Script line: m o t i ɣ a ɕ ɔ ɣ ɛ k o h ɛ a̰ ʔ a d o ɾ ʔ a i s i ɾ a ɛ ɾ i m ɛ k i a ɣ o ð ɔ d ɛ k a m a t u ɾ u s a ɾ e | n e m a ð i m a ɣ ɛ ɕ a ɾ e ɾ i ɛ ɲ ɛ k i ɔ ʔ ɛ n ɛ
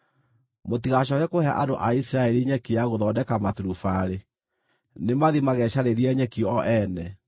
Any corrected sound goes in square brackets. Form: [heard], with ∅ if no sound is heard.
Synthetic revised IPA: m o t i ɣ a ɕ ɔ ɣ ɛ k o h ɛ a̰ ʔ a d o [∅] ʔ a i s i ɾ a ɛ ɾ i [ɲ] ɛ k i a ɣ o ð ɔ d ɛ k a m a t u ɾ u [f] a ɾ e | n e m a ð i m a ɣ ɛ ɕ a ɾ e ɾ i ɛ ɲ ɛ k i ɔ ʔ ɛ n ɛ